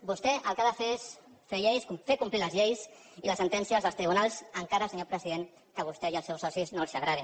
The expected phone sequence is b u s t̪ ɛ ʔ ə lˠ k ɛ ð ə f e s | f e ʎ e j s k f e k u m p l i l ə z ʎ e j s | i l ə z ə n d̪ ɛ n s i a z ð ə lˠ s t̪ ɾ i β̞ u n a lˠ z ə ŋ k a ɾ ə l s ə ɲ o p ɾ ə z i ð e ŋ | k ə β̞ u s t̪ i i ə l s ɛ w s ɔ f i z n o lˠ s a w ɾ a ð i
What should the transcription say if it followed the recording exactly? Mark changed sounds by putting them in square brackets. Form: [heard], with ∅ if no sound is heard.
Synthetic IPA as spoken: b u s t̪ ɛ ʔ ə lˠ k [a] ð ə f e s | f e ʎ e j s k f e k u m p l i l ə z ʎ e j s | i l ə [s] ə n [t̪] ɛ n s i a z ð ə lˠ s t̪ ɾ i β̞ u n a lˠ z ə ŋ k a ɾ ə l s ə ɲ o p ɾ ə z i ð e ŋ | k ə β̞ u s t̪ [ɛ] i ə l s ɛ w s ɔ [s] i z n o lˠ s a [ɣ] ɾ a ð i